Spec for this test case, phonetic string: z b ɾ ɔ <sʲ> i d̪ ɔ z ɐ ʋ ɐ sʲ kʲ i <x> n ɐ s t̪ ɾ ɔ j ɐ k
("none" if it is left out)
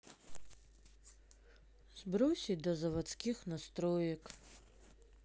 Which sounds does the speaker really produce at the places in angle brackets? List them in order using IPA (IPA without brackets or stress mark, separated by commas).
sʲ, x